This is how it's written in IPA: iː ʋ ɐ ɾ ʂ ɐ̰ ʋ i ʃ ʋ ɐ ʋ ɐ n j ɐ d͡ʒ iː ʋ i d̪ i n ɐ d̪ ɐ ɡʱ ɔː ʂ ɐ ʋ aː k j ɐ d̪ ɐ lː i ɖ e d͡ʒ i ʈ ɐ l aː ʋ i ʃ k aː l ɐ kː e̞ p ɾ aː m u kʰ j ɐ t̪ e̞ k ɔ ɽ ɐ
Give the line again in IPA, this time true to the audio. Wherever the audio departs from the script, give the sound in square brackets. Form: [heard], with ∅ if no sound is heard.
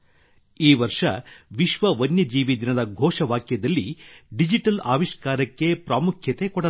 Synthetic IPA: iː ʋ ɐ ɾ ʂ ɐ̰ ʋ i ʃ ʋ ɐ ʋ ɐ n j ɐ d͡ʒ iː ʋ i d̪ i n ɐ d̪ ɐ ɡʱ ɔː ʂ ɐ ʋ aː k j ɐ d̪ ɐ lː i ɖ [i] d͡ʒ i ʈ ɐ l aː ʋ i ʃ k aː [ɾ] ɐ kː e̞ p ɾ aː m u kʰ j ɐ t̪ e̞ k ɔ ɽ ɐ